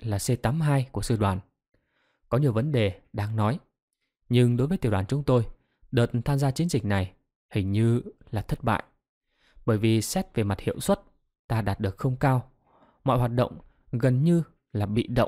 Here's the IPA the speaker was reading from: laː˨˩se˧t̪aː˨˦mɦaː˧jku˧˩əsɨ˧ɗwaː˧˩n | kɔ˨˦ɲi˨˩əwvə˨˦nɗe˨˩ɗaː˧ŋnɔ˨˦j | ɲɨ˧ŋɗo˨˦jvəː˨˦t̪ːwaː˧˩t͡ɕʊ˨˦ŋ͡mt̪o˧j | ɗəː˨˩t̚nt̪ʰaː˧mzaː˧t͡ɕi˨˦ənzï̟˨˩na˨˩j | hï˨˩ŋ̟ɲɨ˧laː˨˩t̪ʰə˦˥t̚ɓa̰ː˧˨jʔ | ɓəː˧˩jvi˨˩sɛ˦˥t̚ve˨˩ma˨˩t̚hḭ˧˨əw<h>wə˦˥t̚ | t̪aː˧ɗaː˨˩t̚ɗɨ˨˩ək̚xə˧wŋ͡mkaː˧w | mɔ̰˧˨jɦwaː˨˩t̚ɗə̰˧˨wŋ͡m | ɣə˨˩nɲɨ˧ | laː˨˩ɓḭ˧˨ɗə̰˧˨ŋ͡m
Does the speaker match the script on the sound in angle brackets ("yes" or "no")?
no